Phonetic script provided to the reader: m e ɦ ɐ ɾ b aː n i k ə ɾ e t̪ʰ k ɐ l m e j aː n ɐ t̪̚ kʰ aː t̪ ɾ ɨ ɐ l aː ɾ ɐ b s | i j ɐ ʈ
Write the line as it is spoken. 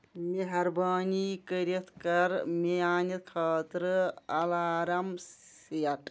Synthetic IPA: m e ɦ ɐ ɾ b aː n i k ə ɾ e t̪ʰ k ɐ ɾ m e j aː n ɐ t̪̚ kʰ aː t̪ ɾ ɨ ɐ l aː ɾ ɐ m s | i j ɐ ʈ